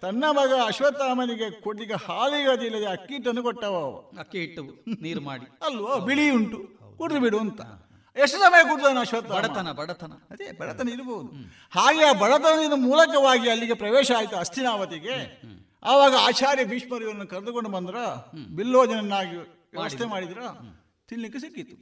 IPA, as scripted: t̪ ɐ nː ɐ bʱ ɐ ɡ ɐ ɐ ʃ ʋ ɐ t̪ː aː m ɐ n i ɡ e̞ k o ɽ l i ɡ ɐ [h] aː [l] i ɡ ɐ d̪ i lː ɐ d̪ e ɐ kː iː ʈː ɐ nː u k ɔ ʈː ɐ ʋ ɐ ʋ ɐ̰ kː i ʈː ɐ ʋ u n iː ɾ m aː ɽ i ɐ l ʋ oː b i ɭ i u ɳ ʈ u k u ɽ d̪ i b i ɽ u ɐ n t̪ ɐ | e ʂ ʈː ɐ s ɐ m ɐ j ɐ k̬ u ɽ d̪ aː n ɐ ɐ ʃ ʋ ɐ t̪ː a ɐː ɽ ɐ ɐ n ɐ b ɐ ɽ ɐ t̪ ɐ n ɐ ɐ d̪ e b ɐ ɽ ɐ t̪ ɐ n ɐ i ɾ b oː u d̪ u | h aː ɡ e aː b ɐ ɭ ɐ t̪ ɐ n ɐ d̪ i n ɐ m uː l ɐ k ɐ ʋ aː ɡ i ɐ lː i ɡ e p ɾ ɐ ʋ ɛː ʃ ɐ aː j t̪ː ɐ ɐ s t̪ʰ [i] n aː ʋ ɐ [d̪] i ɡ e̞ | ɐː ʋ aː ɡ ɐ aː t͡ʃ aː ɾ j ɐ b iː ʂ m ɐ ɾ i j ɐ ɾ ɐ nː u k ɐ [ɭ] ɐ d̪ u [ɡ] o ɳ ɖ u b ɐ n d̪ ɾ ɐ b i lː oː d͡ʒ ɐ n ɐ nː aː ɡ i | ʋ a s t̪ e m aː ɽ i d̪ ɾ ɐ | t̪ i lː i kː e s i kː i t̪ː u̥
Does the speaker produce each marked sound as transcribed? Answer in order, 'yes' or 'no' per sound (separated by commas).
yes, yes, yes, no, no, no